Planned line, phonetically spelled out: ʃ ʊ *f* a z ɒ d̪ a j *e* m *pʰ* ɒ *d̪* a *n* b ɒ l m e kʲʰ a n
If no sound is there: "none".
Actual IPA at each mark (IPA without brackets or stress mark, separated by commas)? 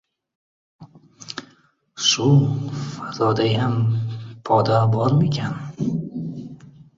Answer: f, a, pʰ, d̪, none